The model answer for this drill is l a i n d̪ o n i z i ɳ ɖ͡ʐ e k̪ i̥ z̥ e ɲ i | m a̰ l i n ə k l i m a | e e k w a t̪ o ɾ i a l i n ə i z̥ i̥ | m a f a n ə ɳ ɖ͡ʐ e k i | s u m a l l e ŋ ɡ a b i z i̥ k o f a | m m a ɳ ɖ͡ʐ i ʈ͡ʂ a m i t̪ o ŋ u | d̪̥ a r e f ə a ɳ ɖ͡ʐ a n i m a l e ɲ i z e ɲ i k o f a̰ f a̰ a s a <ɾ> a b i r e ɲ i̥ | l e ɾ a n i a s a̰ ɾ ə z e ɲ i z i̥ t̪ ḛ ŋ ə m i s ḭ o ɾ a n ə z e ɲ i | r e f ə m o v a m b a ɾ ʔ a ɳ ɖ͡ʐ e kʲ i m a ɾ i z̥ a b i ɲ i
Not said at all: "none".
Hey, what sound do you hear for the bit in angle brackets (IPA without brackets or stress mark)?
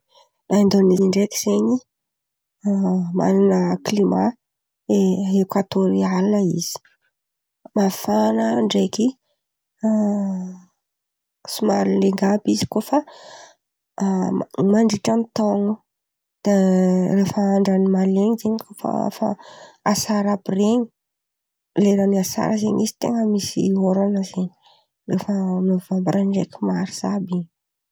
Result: ɾ